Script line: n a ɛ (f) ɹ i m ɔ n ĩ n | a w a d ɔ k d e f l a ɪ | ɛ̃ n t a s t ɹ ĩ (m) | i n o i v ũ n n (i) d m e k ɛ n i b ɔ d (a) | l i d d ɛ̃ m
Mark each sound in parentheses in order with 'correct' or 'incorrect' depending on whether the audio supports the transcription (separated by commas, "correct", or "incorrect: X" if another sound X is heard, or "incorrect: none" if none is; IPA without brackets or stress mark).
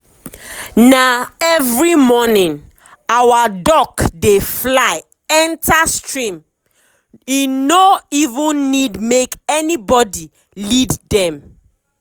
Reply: incorrect: v, correct, correct, incorrect: i